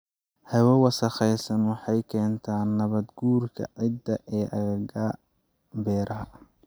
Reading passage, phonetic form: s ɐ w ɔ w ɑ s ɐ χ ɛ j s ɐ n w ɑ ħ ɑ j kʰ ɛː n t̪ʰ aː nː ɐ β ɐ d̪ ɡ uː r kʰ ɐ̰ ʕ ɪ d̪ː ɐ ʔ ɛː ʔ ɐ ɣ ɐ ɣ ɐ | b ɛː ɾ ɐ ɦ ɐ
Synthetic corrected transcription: h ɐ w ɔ w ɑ s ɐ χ ɛ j s ɐ n w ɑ ħ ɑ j kʰ ɛː n t̪ʰ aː nː ɐ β ɐ d̪ ɡ uː r kʰ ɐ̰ ʕ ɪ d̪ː ɐ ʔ ɛː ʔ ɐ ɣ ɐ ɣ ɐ | b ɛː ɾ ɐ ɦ ɐ